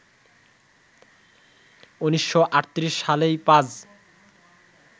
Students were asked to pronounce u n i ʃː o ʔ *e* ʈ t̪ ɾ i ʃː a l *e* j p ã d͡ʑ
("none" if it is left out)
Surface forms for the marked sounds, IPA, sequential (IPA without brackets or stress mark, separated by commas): a, e